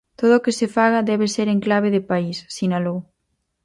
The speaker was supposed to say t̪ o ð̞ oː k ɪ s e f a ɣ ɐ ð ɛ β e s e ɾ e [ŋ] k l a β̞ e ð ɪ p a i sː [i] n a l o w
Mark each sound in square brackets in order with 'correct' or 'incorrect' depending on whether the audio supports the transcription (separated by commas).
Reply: correct, correct